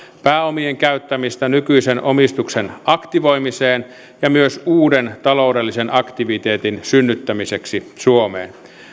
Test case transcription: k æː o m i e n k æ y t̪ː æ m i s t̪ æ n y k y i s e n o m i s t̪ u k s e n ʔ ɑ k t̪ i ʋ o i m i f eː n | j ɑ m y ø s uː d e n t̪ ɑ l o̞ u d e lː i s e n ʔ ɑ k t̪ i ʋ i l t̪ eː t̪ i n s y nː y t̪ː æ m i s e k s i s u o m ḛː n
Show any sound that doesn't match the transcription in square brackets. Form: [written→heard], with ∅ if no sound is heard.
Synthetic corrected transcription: [k→p] æː o m i e [n→ŋ] k æ y t̪ː æ m i s t̪ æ n y k y i s e n o m i s t̪ u k s e n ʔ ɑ k t̪ i ʋ o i m i [f→s] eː n | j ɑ m y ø s uː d e n t̪ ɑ l o̞ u d e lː i s e n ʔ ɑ k t̪ i ʋ i [l→∅] t̪ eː t̪ i n s y nː y t̪ː æ m i s e k s i s u o m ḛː n